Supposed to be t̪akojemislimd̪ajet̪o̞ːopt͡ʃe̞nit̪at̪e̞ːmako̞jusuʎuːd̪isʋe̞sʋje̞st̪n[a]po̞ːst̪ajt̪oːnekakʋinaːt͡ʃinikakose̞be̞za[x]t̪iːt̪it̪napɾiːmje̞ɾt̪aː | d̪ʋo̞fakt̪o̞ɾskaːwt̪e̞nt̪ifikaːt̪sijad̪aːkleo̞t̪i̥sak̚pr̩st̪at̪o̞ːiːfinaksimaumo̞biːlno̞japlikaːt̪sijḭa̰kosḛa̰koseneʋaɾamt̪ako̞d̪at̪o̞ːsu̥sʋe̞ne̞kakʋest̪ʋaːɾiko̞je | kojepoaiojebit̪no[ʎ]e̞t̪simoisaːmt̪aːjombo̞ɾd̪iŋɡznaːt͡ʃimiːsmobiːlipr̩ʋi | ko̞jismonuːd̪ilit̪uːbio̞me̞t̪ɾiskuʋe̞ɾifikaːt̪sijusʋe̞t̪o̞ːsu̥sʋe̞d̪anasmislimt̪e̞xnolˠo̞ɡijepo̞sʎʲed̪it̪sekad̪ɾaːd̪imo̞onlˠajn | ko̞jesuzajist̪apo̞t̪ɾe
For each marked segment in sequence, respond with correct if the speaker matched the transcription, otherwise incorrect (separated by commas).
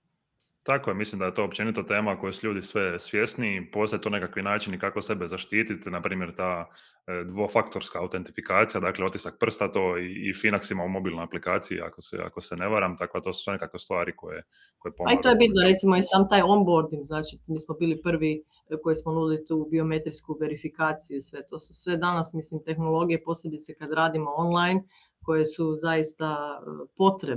incorrect, incorrect, incorrect